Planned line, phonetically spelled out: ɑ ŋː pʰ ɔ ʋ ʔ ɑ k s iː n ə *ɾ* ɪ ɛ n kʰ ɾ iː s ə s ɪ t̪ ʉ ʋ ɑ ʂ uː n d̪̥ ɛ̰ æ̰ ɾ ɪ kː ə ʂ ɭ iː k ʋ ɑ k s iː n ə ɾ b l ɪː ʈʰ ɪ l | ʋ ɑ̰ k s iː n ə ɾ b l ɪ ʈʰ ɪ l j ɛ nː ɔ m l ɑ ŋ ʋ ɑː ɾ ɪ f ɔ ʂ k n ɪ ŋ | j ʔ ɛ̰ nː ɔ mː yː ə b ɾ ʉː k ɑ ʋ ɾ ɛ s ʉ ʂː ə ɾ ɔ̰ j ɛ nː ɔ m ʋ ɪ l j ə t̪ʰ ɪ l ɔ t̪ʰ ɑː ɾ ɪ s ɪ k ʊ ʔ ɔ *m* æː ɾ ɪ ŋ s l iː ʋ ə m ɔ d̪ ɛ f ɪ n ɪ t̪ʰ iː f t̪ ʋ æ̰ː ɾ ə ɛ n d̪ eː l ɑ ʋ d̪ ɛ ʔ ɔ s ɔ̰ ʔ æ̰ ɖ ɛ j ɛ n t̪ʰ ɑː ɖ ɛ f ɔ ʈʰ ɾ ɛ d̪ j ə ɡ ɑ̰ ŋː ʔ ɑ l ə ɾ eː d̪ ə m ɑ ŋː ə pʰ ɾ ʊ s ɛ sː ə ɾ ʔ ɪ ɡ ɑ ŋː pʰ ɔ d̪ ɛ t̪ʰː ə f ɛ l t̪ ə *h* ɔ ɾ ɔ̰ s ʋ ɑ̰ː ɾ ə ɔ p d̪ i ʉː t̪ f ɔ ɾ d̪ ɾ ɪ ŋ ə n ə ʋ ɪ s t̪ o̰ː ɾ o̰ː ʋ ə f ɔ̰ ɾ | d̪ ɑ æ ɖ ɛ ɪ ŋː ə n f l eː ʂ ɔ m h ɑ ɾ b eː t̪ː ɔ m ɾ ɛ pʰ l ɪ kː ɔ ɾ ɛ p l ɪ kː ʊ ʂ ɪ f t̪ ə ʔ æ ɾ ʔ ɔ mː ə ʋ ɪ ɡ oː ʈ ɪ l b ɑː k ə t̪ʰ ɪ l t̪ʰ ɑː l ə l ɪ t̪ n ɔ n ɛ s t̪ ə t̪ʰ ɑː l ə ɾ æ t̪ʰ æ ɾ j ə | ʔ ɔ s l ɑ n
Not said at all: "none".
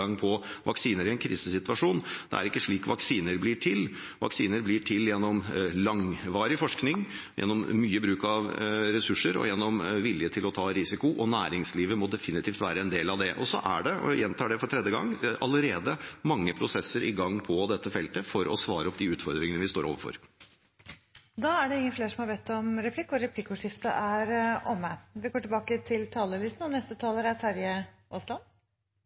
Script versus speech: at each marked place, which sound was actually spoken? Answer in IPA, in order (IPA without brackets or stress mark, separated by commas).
ɾ, n, f